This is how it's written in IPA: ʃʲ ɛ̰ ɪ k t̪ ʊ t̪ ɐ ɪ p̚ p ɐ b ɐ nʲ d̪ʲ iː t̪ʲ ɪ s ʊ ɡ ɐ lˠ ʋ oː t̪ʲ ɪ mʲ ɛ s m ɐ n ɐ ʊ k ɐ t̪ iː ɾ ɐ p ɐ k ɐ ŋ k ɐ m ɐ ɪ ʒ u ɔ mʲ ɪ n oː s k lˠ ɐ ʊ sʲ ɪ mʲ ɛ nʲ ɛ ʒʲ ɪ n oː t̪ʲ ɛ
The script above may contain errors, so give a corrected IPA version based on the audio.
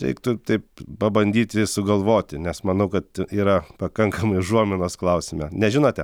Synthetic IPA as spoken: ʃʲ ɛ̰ ɪ k t̪ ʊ t̪ ɐ ɪ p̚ p ɐ b ɐ nʲ d̪ʲ iː t̪ʲ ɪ s ʊ ɡ ɐ lˠ ʋ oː t̪ʲ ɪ nʲ ɛ s m ɐ n ɐ ʊ k ɐ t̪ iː ɾ ɐ p ɐ k ɐ ŋ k ɐ m ɐ ɪ ʒ u ɔ mʲ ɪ n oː s k lˠ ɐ ʊ sʲ ɪ mʲ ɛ nʲ ɛ ʒʲ ɪ n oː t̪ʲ ɛ

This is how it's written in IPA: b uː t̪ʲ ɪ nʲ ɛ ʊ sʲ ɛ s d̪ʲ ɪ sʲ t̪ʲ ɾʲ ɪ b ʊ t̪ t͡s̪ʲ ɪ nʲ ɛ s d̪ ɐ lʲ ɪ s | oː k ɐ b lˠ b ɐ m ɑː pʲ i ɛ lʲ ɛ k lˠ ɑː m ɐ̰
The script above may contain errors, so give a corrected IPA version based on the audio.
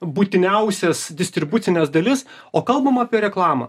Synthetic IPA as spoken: b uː t̪ʲ ɪ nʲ ɛ ʊ sʲ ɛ s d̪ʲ ɪ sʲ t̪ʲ ɾʲ ɪ b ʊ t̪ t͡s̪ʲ ɪ nʲ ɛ s d̪ ɐ lʲ ɪ s | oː k ɐ lˠ b ɐ m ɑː pʲ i ɛ ɾʲ ɛ k lˠ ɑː m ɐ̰

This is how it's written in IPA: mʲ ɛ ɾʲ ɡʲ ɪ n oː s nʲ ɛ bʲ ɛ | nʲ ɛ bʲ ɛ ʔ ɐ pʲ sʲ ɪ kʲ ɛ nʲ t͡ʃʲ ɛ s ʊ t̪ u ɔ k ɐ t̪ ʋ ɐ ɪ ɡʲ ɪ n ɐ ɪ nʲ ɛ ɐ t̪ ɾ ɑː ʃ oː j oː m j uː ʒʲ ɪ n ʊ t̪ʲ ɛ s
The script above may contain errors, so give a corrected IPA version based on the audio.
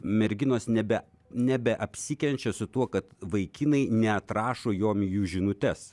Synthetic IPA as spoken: mʲ ɛ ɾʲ ɡʲ ɪ n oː s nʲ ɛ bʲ ɛ | nʲ ɛ bʲ ɛ ʔ ɐ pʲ sʲ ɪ kʲ ɛ nʲ t͡ʃʲ ɛ s ʊ t̪ u ɔ k ɐ t̪ ʋ ɐ ɪ kʲ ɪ n ɐ ɪ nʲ ɛ ɐ t̪ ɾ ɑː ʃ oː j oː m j uː ʒʲ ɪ n ʊ t̪ʲ ɛ s

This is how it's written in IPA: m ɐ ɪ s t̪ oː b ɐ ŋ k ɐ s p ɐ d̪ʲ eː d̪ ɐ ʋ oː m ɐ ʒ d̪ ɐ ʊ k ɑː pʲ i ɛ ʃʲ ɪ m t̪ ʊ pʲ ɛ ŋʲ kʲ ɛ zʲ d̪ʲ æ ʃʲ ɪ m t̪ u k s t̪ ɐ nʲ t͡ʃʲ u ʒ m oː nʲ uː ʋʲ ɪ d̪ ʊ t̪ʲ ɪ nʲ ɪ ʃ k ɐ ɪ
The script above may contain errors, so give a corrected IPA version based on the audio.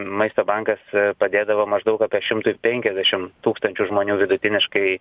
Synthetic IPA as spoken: m ɐ ɪ s t̪ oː b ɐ ŋ k ɐ s p ɐ d̪ʲ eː d̪ ɐ ʋ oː m ɐ ʒ d̪ ɐ ʊ k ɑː pʲ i ɛ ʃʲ ɪ m t̪ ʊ pʲ ɛ ŋʲ kʲ ɛ zʲ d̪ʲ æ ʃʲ ɪ m t̪ uː k s t̪ ɐ nʲ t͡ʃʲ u ʒ m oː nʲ uː ʋʲ ɪ d̪ ʊ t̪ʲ ɪ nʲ ɪ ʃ k ɐ ɪ

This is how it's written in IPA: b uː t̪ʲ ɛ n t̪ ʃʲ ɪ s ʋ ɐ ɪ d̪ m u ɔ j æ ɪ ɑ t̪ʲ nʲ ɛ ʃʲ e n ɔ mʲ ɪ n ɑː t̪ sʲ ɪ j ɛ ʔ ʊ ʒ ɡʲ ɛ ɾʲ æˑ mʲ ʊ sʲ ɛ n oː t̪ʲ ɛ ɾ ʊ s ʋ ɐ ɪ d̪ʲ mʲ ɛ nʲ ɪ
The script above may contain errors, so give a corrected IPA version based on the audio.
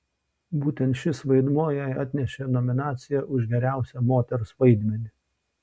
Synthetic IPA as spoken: b uː t̪ʲ ɛ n t̪ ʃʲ ɪ s ʋ ɐ ɪ d̪ m u ɔ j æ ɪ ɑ t̪ʲ nʲ ɛ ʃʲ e n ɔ mʲ ɪ n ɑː t̪ sʲ ɪ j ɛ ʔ ʊ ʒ ɡʲ ɛ ɾʲ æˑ ʊ sʲ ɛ m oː t̪ʲ ɛ ɾ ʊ s ʋ ɐ ɪ d̪ʲ mʲ ɛ nʲ ɪ

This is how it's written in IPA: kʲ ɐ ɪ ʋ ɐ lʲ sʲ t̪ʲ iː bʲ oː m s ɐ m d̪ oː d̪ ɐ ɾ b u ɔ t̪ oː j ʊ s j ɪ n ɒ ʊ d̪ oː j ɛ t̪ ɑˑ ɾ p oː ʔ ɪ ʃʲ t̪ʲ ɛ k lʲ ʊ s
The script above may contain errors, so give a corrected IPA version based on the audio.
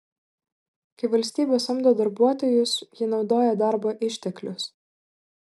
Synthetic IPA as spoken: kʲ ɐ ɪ ʋ ɐ lʲ sʲ t̪ʲ iː bʲ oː s ɐ m d̪ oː d̪ ɐ ɾ b u ɔ t̪ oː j ʊ s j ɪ n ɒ ʊ d̪ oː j ɛ d̪ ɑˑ ɾ b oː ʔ ɪ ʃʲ t̪ʲ ɛ k lʲ ʊ s

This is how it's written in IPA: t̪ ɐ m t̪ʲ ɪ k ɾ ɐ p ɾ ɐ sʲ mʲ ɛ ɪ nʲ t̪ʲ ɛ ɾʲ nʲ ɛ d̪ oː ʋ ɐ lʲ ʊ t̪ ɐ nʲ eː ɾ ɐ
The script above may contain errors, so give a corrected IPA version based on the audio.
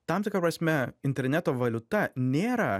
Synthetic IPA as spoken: t̪ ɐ m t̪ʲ ɪ k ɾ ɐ p ɾ ɐ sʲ mʲ ɛ ɪ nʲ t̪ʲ ɛ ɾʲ nʲ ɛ t̪ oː ʋ ɐ lʲ ʊ t̪ ɐ nʲ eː ɾ ɐ

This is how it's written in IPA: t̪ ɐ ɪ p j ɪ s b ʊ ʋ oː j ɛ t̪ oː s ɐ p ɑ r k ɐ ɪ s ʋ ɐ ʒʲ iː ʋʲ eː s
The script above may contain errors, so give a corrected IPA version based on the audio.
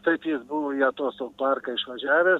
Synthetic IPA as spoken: t̪ ɐ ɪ p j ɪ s b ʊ ʋ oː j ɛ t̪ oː s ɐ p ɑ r k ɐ ɪ ʃ ʋ ɐ ʒʲ æː ʋʲ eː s

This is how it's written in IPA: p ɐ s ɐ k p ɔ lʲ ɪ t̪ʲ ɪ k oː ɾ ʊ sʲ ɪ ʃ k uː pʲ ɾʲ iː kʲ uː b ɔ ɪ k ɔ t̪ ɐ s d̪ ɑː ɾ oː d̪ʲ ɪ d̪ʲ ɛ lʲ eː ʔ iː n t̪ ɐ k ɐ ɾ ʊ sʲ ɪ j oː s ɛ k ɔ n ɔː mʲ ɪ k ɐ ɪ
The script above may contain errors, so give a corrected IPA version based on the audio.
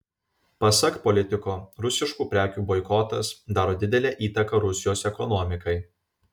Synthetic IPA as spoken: p ɐ s ɐ k p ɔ lʲ ɪ t̪ʲ ɪ k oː ɾ ʊ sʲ ɪ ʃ k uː pʲ ɾʲ æː kʲ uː b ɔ ɪ k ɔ t̪ ɐ s d̪ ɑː ɾ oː d̪ʲ ɪ d̪ʲ ɛ lʲ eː ʔ iː t̪ ɐ k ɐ ɾ ʊ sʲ ɪ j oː s ɛ k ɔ n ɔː mʲ ɪ k ɐ ɪ

